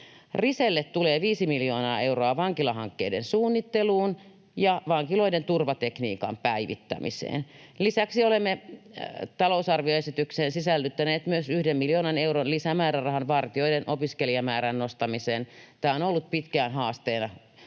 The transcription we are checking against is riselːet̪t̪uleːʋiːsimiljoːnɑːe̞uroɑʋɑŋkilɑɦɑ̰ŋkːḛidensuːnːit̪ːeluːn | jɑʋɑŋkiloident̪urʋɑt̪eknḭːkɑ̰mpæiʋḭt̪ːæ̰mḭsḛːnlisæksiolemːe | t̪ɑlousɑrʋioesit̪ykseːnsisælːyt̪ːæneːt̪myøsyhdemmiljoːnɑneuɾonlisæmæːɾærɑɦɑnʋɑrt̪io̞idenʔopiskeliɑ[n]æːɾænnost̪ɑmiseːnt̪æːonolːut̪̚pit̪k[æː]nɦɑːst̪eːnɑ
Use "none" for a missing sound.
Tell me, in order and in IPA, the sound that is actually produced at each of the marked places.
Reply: m, æː

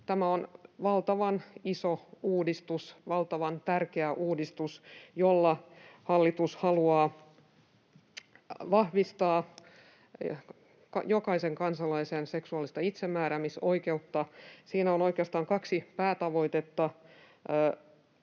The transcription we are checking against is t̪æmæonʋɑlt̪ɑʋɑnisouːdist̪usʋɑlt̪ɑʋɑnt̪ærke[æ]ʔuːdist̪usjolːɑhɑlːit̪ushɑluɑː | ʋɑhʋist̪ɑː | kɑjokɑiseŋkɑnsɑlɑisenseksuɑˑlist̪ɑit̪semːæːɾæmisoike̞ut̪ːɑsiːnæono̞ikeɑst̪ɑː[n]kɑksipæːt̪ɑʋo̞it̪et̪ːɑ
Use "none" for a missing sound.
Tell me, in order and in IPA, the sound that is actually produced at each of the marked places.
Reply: æ, ŋ

